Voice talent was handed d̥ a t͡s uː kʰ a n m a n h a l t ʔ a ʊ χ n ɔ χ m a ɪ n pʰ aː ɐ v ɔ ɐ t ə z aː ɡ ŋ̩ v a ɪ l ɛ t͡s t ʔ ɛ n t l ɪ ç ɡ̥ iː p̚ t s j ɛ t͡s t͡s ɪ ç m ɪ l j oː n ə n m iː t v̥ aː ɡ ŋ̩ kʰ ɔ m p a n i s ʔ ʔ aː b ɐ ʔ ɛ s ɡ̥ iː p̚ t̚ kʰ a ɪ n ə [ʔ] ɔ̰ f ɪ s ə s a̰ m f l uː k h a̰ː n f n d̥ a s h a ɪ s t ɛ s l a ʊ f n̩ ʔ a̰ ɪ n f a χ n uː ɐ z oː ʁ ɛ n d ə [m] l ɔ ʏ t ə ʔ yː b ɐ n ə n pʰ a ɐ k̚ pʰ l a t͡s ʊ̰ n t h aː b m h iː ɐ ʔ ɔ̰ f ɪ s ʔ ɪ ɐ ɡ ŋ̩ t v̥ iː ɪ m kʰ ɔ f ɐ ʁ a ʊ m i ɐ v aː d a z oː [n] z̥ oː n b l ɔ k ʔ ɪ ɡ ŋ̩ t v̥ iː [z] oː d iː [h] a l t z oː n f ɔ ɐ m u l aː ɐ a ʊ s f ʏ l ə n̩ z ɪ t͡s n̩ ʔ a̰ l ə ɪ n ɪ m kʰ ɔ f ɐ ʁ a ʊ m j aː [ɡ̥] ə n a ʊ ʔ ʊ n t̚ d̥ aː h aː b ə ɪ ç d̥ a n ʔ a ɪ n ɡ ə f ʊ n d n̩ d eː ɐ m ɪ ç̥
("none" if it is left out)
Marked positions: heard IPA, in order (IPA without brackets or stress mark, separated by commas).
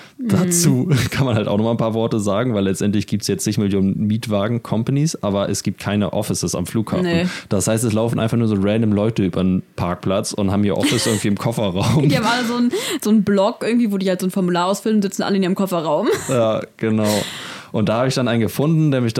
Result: ʔ, m, n, v, h, ɡ̥